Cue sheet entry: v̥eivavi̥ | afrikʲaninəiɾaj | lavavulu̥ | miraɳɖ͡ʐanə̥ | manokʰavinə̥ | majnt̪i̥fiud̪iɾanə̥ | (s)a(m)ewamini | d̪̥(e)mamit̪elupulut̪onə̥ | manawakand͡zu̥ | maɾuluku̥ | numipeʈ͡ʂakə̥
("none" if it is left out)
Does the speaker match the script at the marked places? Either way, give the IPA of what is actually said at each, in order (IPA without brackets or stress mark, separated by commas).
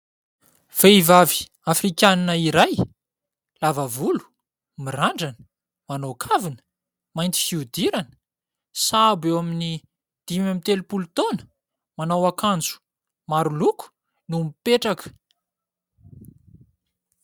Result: s, b, i